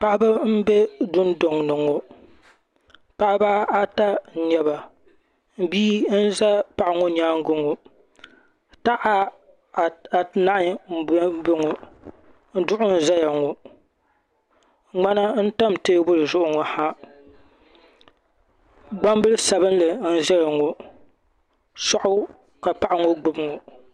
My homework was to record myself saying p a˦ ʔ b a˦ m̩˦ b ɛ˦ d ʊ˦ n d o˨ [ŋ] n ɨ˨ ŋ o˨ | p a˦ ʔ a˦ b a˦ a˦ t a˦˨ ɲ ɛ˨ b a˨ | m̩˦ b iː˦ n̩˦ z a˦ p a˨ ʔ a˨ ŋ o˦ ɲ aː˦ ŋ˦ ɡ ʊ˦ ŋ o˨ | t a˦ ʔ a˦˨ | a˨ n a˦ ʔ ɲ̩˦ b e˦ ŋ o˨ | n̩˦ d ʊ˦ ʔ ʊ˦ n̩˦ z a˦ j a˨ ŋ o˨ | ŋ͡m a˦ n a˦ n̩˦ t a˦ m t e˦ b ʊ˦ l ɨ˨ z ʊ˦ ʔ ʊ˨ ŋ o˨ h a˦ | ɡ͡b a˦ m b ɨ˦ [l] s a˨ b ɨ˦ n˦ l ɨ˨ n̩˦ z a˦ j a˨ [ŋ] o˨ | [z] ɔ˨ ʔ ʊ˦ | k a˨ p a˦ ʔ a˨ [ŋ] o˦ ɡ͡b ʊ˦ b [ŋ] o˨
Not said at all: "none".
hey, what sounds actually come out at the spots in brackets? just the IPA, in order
ŋ, l, ŋ, s, ŋ, ŋ

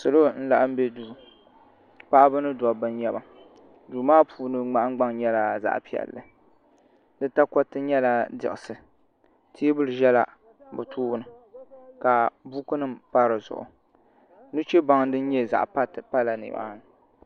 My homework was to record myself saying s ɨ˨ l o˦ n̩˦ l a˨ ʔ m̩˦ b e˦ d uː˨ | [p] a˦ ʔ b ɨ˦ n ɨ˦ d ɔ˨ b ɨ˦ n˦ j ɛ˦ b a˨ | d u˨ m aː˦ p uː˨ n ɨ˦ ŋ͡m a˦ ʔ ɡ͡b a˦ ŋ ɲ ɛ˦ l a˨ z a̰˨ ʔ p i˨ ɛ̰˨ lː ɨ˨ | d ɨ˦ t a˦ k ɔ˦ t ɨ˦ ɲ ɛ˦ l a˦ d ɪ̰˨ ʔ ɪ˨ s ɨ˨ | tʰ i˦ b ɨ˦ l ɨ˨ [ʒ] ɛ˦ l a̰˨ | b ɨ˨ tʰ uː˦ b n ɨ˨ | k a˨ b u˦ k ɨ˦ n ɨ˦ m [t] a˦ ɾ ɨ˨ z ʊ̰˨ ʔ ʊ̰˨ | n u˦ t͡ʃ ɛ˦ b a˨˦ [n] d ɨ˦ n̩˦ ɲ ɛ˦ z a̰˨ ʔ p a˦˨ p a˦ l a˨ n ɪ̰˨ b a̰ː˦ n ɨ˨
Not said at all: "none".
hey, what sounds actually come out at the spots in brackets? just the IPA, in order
p, ʒ, p, ŋ

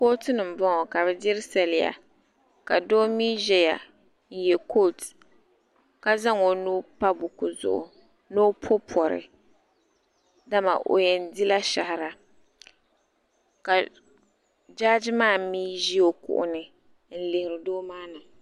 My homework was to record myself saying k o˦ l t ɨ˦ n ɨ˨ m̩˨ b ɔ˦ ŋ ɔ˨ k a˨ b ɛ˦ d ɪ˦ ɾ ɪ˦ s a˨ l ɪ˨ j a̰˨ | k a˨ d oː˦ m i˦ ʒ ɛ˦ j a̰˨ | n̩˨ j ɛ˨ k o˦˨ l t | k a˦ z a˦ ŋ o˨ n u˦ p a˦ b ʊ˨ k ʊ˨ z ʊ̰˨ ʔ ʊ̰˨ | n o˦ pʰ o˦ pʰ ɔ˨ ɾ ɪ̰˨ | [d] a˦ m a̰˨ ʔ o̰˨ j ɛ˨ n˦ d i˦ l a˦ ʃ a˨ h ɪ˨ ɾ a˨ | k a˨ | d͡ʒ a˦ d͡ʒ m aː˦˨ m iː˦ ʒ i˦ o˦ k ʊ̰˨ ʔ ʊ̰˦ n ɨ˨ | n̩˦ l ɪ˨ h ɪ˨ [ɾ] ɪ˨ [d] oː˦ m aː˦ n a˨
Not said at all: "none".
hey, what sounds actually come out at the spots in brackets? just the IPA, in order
d, ɾ, d

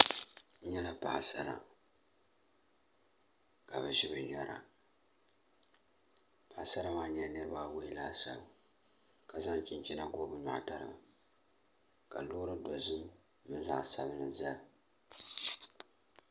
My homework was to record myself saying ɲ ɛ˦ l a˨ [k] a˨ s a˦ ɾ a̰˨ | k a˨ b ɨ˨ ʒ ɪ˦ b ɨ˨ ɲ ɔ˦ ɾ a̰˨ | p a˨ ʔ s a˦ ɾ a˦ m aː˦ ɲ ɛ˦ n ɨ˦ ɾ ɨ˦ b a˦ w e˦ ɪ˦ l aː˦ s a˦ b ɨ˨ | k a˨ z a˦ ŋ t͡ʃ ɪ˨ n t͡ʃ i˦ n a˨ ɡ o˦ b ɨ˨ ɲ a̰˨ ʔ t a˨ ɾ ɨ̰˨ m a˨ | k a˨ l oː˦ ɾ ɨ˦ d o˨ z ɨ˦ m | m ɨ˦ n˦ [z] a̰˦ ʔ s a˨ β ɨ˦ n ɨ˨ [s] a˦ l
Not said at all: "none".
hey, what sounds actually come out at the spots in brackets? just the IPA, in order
p, z, z

